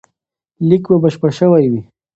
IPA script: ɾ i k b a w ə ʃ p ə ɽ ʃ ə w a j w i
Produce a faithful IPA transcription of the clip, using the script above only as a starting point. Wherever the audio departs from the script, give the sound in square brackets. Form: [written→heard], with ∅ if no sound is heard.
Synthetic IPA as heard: [ɾ→l] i k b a [w→b] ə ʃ p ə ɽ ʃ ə w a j w i